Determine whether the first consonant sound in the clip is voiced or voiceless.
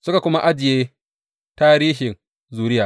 voiceless